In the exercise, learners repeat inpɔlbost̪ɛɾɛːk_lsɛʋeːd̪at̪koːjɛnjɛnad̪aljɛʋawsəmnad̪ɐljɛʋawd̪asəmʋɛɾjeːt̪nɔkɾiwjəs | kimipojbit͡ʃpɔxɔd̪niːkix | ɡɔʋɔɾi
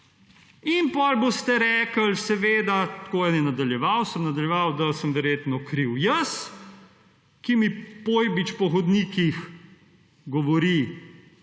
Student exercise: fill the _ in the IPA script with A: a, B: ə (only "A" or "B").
B